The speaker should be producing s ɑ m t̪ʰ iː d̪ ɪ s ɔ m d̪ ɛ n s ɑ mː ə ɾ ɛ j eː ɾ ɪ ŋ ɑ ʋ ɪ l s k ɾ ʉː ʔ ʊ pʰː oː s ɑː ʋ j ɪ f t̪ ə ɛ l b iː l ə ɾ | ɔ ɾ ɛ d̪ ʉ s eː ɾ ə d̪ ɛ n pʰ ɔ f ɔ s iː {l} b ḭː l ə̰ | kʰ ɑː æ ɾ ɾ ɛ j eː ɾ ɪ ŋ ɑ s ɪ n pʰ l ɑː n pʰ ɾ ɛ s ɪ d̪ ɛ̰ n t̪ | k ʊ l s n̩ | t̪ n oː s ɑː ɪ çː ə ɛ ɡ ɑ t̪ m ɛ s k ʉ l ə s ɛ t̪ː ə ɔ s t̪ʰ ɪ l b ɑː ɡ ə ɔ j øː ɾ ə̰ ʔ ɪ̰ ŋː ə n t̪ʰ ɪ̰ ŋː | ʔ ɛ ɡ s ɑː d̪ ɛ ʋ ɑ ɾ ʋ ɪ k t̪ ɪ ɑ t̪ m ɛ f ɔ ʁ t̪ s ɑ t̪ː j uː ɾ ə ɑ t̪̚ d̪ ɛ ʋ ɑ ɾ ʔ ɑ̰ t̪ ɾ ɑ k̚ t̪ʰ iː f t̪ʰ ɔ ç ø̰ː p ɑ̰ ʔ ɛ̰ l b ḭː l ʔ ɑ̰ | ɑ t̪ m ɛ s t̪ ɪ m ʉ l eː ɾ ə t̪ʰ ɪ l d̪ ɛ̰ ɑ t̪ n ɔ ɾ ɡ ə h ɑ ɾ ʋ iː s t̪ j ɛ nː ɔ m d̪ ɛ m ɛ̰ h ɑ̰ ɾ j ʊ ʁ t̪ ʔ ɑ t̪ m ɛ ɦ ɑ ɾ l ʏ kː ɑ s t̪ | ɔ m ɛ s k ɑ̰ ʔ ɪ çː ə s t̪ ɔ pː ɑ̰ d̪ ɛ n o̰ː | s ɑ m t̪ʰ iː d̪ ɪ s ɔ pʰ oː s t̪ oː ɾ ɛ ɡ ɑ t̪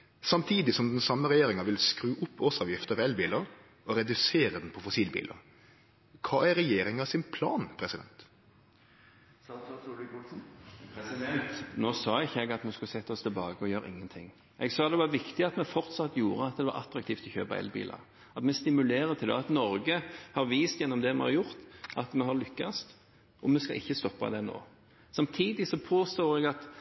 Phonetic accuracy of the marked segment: correct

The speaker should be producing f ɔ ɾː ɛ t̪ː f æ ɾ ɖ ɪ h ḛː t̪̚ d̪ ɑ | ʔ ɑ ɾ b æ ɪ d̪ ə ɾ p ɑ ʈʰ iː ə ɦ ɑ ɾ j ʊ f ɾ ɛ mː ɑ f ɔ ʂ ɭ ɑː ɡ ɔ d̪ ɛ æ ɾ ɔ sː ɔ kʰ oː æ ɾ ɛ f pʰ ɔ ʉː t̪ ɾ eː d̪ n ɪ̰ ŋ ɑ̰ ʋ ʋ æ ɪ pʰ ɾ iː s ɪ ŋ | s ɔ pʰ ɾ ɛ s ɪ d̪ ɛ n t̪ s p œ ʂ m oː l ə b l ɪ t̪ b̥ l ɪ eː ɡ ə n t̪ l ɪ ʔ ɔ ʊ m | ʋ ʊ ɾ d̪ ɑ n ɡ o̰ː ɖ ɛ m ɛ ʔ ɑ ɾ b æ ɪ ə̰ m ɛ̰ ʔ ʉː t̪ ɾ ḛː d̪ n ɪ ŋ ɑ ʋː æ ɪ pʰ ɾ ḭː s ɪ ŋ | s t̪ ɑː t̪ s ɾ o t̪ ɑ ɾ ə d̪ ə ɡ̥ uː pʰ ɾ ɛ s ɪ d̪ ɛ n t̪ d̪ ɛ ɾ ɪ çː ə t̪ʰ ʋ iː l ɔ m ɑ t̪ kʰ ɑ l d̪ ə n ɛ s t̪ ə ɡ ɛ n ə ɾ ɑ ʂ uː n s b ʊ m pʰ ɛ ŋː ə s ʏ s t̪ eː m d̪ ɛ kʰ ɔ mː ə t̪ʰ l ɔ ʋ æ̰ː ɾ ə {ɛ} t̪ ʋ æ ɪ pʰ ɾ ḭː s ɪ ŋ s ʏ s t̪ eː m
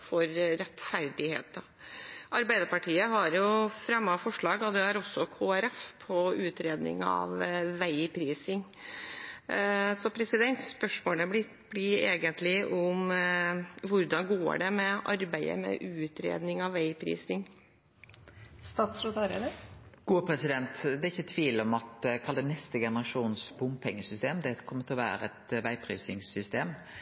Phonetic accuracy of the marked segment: correct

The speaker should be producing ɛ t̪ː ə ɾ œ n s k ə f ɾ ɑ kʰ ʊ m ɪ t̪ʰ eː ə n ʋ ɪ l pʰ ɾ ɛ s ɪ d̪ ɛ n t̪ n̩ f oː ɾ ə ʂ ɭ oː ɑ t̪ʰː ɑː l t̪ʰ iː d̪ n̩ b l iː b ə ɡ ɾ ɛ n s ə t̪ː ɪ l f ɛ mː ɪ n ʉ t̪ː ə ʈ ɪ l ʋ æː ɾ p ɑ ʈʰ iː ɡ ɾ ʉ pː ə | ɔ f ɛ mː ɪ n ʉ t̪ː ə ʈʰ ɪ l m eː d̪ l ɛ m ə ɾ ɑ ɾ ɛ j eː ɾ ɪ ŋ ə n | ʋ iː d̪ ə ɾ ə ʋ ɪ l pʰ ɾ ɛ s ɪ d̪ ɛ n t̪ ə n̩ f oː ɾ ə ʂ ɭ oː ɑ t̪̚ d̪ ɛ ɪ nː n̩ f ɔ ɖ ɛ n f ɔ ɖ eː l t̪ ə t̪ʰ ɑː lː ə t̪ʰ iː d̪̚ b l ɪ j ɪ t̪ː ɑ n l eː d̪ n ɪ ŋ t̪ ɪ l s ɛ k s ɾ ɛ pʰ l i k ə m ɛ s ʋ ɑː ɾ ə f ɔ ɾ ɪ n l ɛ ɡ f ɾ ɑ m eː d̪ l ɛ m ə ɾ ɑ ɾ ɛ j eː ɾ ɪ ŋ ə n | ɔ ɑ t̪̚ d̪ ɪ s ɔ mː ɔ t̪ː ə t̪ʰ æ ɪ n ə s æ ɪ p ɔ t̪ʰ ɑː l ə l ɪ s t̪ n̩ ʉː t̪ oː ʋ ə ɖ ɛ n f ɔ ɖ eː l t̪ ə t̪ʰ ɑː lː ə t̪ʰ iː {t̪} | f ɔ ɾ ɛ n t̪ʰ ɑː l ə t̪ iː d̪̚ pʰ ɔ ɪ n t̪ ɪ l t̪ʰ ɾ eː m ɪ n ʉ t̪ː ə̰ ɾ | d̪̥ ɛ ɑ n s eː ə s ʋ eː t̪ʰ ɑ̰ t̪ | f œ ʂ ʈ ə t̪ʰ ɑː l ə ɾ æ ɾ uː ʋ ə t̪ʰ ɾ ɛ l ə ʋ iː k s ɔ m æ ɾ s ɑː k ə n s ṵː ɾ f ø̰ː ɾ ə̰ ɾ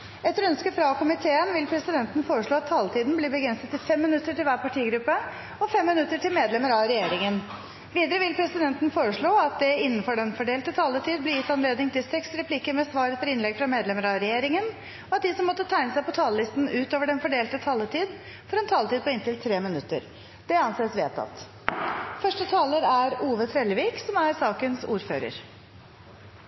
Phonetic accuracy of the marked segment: incorrect: d̪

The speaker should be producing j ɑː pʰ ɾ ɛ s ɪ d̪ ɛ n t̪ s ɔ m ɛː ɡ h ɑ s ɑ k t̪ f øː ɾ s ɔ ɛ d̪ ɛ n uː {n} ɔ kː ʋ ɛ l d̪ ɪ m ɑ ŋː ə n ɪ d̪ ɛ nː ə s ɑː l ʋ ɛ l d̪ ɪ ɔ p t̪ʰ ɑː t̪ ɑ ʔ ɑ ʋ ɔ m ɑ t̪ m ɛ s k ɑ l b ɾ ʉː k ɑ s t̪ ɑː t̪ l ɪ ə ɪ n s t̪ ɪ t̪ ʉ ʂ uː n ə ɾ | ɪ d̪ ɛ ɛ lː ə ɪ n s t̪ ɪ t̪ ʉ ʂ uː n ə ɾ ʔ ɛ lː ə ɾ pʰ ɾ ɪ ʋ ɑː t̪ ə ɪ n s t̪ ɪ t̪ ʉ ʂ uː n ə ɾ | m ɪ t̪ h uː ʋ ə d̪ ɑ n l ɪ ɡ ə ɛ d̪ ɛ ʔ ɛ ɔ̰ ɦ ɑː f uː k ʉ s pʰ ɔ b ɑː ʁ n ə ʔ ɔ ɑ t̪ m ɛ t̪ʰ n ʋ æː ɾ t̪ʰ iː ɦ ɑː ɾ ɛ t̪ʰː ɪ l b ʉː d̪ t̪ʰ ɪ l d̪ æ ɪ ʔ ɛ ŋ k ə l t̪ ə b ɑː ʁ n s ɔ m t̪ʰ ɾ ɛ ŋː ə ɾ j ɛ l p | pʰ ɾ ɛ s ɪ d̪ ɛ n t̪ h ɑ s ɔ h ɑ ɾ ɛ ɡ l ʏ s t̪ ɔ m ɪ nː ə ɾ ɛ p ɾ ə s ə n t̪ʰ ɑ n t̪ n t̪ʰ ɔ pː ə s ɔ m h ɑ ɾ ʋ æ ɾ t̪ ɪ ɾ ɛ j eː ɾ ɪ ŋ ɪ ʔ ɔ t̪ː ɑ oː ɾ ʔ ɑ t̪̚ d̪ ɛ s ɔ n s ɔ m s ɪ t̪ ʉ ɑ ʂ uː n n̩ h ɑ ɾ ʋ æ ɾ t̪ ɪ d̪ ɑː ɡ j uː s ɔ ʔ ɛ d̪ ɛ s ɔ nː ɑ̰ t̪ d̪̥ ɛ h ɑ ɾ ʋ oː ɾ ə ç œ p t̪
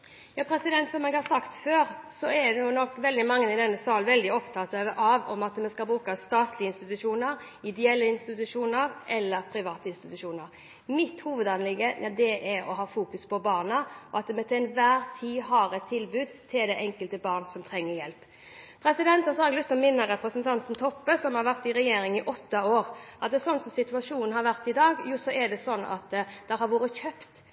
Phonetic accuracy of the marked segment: correct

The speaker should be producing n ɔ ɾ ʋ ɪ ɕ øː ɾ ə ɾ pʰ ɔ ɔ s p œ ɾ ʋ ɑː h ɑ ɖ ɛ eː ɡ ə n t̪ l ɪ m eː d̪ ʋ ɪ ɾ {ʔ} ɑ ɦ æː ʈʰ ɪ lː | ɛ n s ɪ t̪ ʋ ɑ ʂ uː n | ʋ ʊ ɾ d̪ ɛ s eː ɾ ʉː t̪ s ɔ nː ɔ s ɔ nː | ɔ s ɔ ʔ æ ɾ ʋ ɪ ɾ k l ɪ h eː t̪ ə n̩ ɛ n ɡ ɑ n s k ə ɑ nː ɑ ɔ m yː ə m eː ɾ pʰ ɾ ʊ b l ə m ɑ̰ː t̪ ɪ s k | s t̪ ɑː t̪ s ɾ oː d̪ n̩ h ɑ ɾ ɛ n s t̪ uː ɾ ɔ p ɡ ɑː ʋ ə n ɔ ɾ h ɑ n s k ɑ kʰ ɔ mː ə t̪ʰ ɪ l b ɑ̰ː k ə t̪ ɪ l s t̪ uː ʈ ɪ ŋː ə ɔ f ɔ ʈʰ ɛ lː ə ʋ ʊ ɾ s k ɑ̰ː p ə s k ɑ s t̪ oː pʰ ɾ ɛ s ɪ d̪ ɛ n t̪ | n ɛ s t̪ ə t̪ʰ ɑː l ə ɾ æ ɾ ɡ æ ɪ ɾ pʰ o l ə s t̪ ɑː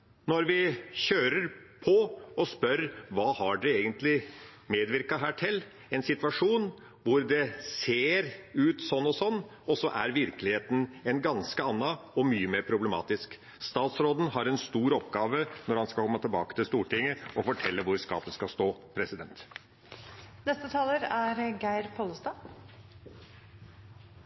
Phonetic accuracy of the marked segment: incorrect: k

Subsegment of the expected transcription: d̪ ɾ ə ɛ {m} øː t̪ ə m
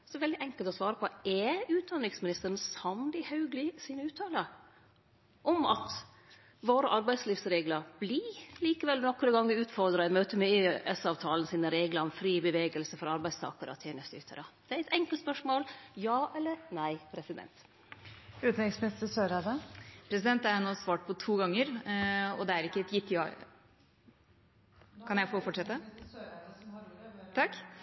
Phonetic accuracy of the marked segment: correct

